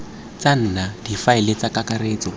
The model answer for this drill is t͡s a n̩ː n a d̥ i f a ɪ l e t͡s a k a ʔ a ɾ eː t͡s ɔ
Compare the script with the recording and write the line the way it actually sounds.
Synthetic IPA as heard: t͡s a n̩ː n a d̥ i f a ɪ l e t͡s a k a k a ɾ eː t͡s ɔ